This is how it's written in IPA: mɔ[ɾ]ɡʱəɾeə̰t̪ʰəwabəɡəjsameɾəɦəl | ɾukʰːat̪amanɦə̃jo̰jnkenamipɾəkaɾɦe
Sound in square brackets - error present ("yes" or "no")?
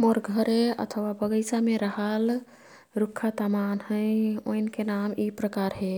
no